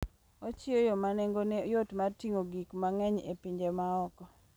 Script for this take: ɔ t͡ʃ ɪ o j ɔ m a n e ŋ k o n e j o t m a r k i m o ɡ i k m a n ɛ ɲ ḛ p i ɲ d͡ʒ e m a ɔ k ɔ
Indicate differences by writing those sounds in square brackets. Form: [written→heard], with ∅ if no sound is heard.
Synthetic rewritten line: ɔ t͡ʃ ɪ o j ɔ m a n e ŋ [k→ɡ] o n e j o t m a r [k→t] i [m→ŋ] o ɡ i k m a [n→ŋ] ɛ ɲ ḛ p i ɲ d͡ʒ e m a ɔ k ɔ

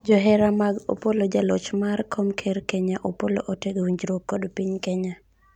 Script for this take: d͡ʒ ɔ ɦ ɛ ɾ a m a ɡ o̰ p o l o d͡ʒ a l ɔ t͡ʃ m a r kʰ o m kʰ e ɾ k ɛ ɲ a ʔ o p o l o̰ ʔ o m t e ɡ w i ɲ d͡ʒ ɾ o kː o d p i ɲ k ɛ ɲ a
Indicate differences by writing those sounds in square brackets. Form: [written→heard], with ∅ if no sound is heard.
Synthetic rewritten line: d͡ʒ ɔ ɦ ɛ ɾ a m a ɡ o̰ p o l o d͡ʒ a l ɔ t͡ʃ m a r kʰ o m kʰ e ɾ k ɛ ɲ a ʔ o p o l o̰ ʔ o [m→∅] t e ɡ w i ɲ d͡ʒ ɾ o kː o d p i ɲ k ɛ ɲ a

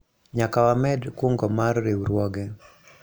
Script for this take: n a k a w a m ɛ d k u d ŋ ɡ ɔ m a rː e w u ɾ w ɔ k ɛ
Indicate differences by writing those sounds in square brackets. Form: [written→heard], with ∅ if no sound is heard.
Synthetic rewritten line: [n→ɲ] a k a w a m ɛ d k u [d→∅] ŋ ɡ ɔ m a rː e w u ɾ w ɔ [k→ɡ] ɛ

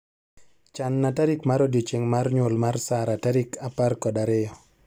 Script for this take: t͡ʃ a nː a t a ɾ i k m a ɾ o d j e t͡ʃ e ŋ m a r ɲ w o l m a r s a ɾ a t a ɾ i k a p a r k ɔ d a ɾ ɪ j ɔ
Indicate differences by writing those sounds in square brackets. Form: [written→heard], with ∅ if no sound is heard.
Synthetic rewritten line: t͡ʃ a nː a t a ɾ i k m a ɾ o d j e t͡ʃ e ŋ m a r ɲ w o l m a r s a ɾ a t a ɾ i k a p a r k ɔ d a ɾ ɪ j ɔ

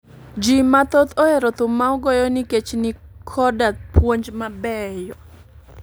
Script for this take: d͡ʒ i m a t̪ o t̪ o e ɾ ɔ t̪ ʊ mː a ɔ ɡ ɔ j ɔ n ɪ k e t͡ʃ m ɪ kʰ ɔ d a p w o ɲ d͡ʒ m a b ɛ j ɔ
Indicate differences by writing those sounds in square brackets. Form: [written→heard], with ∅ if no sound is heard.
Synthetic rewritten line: d͡ʒ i m a t̪ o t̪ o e ɾ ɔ t̪ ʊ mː a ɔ ɡ ɔ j ɔ n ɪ k e t͡ʃ [m→n] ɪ kʰ ɔ d a p w o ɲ d͡ʒ m a b ɛ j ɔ

